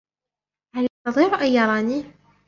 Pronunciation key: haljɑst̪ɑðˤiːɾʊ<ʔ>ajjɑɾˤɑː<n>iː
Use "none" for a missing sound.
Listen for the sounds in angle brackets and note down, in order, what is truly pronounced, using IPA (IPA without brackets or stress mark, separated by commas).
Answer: ʔ, n